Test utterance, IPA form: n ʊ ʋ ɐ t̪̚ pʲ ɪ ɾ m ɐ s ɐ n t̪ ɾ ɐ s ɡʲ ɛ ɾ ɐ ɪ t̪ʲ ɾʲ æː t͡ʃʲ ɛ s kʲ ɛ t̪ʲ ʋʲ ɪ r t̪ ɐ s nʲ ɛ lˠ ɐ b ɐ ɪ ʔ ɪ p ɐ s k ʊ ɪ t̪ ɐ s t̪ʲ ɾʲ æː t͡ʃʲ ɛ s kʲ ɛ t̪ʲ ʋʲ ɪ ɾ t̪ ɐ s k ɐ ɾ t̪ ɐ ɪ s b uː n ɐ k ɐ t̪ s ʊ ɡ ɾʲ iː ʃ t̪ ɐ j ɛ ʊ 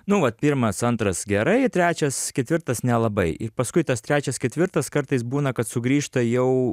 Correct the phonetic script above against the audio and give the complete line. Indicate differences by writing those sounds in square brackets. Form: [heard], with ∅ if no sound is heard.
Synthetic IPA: n ʊ ʋ ɐ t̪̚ pʲ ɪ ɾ m ɐ s ɐ n t̪ ɾ ɐ s ɡʲ ɛ ɾ ɐ ɪ t̪ʲ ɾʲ æː t͡ʃʲ ɛ s kʲ ɛ t̪ʲ ʋʲ ɪ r t̪ ɐ s nʲ ɛ lˠ ɐ b ɐ ɪ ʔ ɪ p ɐ s k ʊ ɪ t̪ ɐ s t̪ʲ ɾʲ æː t͡ʃʲ ɛ s kʲ ɛ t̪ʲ ʋʲ ɪ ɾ t̪ ɐ s k ɐ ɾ t̪ ɐ ɪ s b uː n ɐ k ɐ t̪ s ʊ ɡ ɾʲ iː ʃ t̪ ɐ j ɛ ʊ

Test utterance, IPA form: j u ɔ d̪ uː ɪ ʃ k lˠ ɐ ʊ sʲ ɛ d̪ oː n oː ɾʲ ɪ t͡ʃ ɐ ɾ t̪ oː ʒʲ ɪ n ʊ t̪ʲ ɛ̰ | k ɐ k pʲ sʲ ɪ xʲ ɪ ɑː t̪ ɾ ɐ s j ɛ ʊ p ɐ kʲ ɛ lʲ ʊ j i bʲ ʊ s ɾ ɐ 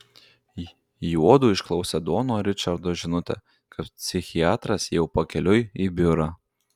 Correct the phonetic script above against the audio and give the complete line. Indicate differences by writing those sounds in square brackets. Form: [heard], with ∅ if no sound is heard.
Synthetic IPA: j u ɔ d̪ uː ɪ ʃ k lˠ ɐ ʊ sʲ ɛ d̪ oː n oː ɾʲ ɪ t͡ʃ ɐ ɾ [d̪] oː ʒʲ ɪ n ʊ t̪ʲ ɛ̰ | k ɐ [p] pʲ sʲ ɪ xʲ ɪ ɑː t̪ ɾ ɐ s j ɛ ʊ p ɐ kʲ ɛ lʲ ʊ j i bʲ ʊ [∅] ɾ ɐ

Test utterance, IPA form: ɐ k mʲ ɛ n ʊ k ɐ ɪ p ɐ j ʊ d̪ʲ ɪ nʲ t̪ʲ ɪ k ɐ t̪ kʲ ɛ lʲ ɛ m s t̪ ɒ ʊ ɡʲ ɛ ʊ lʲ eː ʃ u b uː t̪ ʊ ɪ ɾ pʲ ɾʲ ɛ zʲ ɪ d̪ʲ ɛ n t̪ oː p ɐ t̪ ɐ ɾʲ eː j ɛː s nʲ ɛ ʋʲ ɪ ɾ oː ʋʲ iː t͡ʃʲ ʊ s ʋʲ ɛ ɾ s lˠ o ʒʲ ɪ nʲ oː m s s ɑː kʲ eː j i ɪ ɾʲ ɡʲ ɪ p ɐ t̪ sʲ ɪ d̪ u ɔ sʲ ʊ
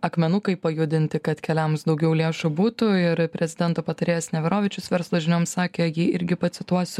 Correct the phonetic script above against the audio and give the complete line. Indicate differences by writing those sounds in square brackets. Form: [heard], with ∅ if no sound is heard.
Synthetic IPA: ɐ k mʲ ɛ n ʊ k ɐ ɪ p ɐ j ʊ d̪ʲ ɪ nʲ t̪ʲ ɪ k ɐ t̪ kʲ ɛ lʲ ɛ m s [d̪] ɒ ʊ ɡʲ ɛ ʊ lʲ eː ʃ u b uː t̪ ʊ ɪ ɾ pʲ ɾʲ ɛ zʲ ɪ d̪ʲ ɛ n t̪ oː p ɐ t̪ ɐ ɾʲ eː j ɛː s nʲ ɛ ʋʲ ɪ ɾ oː ʋʲ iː t͡ʃʲ ʊ s ʋʲ ɛ ɾ s lˠ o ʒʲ ɪ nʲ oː m s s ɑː kʲ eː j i ɪ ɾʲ ɡʲ ɪ p ɐ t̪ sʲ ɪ [t̪] u ɔ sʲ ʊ

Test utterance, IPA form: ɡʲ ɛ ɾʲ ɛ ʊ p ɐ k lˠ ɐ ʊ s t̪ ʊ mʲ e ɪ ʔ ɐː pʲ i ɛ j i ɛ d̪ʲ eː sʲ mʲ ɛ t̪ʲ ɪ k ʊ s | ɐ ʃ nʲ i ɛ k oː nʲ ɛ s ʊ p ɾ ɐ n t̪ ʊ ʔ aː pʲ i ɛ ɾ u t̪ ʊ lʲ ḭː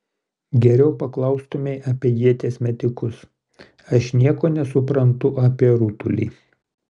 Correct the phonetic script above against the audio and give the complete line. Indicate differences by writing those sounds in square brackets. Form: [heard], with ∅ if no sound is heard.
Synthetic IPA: ɡʲ ɛ ɾʲ ɛ ʊ p ɐ k lˠ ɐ ʊ s t̪ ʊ mʲ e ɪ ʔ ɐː pʲ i ɛ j i ɛ [t̪ʲ] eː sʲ mʲ ɛ t̪ʲ ɪ k ʊ s | ɐ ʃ nʲ i ɛ k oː nʲ ɛ s ʊ p ɾ ɐ n t̪ ʊ ʔ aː pʲ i ɛ ɾ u t̪ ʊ lʲ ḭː

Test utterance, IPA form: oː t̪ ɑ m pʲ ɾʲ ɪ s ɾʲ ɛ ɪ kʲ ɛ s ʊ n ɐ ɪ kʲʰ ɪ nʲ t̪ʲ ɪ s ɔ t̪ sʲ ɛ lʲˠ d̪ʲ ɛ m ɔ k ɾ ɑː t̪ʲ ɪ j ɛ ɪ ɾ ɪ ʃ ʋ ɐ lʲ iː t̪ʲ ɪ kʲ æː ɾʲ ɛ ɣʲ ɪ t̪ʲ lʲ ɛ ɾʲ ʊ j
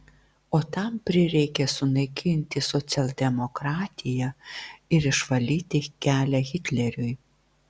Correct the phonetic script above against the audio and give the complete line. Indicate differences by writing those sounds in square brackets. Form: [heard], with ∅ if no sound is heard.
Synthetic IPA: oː t̪ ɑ m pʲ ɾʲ ɪ [∅] ɾʲ ɛ ɪ kʲ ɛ s ʊ n ɐ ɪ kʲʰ ɪ nʲ t̪ʲ ɪ s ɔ t̪ sʲ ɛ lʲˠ d̪ʲ ɛ m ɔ k ɾ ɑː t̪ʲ ɪ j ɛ ɪ ɾ ɪ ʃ ʋ ɐ lʲ iː t̪ʲ ɪ kʲ æː [lʲ] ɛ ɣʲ ɪ t̪ʲ lʲ ɛ ɾʲ ʊ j

